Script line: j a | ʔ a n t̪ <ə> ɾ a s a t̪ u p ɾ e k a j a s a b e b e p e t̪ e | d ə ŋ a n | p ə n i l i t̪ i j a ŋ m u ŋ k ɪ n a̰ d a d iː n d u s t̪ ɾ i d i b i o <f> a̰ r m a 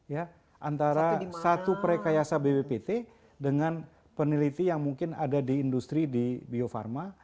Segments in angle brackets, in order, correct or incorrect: incorrect: a, correct

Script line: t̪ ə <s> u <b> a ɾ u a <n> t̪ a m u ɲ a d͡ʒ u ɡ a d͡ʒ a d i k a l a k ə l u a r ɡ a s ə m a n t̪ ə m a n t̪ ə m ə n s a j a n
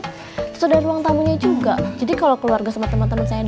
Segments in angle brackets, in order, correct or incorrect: correct, incorrect: d, incorrect: ŋ

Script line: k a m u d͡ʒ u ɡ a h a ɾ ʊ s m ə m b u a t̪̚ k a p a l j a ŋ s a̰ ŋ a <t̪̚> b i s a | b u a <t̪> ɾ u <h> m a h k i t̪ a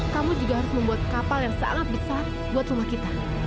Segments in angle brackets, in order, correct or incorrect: correct, correct, incorrect: none

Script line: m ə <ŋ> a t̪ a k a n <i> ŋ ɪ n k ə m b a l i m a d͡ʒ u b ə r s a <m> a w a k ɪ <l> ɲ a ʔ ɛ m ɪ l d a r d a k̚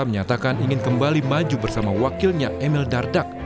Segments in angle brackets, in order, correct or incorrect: incorrect: ɲ, correct, correct, correct

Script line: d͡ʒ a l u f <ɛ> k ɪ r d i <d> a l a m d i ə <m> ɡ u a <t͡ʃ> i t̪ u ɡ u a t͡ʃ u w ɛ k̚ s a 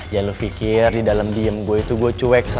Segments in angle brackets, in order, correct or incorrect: incorrect: i, correct, correct, incorrect: none

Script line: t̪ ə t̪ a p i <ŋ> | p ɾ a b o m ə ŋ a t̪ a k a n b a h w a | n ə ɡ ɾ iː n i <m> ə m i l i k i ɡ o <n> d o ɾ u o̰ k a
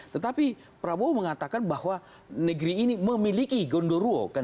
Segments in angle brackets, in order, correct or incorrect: incorrect: none, correct, correct

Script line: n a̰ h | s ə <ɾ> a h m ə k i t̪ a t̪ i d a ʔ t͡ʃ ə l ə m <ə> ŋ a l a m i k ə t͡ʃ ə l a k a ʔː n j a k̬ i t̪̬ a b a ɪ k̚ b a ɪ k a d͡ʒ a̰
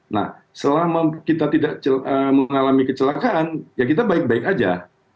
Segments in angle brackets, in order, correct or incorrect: incorrect: l, correct

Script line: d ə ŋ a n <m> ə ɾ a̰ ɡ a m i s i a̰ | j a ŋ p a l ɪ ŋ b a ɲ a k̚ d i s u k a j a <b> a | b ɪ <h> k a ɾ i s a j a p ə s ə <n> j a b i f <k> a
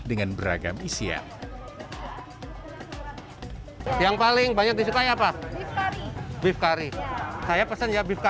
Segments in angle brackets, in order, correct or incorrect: incorrect: b, incorrect: p, incorrect: f, correct, correct

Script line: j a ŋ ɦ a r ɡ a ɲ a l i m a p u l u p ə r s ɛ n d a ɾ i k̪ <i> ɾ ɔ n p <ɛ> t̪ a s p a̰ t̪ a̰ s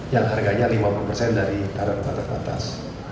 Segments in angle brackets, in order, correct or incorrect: incorrect: a, incorrect: a

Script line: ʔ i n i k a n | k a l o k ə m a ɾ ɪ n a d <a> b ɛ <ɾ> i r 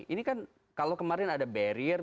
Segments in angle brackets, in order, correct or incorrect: correct, correct

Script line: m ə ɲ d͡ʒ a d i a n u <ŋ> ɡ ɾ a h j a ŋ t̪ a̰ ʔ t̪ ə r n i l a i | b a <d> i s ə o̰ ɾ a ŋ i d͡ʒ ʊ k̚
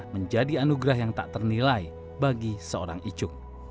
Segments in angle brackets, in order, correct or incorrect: incorrect: none, incorrect: ɡ

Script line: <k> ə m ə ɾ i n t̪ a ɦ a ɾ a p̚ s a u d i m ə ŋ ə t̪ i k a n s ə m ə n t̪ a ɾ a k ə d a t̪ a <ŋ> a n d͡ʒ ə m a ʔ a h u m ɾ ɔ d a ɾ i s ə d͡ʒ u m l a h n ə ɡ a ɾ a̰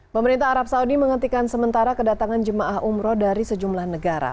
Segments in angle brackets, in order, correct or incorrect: incorrect: p, correct

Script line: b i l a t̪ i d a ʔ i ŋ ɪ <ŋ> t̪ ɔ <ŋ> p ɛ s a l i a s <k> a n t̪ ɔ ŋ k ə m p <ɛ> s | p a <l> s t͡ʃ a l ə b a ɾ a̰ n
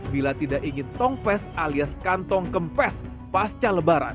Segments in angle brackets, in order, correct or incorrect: incorrect: n, correct, correct, correct, incorrect: none

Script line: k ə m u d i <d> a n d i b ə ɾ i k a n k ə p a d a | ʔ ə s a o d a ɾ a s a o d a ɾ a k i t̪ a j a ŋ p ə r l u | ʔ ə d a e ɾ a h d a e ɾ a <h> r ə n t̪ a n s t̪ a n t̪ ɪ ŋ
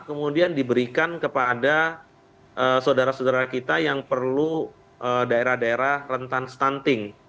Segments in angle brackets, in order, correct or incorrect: incorrect: none, correct

